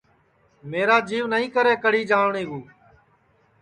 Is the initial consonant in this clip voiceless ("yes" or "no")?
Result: no